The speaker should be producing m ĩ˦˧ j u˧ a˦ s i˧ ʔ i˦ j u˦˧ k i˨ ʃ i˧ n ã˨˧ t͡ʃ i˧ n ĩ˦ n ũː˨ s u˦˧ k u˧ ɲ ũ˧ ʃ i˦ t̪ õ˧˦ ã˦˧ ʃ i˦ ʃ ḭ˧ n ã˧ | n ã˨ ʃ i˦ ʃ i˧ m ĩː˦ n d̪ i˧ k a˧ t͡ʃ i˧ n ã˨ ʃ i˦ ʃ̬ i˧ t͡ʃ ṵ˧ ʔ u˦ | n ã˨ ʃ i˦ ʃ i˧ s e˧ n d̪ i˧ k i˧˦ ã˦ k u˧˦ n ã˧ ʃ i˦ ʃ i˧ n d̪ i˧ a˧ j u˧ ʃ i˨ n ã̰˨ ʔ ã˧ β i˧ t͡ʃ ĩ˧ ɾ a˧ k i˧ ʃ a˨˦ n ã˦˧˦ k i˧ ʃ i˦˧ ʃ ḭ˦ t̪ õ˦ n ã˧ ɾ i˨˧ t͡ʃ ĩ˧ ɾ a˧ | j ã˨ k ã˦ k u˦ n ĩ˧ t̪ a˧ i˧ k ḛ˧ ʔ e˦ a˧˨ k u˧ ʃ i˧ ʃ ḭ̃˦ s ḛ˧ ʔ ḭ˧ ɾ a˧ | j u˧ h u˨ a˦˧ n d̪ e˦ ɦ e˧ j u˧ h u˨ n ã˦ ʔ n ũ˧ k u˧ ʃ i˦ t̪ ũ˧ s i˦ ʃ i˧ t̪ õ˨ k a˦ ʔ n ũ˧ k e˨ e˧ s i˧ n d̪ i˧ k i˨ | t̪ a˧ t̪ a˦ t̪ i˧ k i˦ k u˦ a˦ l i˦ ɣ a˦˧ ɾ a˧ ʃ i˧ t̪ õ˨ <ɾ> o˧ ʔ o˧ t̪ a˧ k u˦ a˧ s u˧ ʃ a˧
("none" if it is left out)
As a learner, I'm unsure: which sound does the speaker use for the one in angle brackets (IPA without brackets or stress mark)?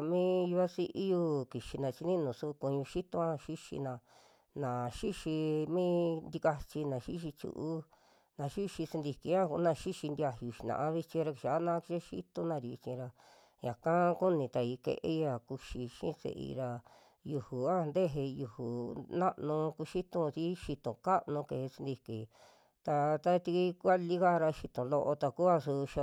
l